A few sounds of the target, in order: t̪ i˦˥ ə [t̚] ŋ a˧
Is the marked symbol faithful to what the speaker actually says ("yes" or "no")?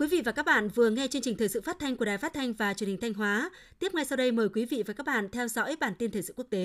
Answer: no